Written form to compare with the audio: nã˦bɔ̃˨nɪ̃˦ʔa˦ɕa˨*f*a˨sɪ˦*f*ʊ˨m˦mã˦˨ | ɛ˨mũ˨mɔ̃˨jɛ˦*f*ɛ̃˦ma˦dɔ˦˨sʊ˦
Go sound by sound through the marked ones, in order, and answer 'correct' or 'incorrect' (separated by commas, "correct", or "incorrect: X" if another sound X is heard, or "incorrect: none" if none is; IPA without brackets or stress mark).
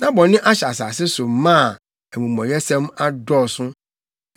incorrect: s, incorrect: s, incorrect: s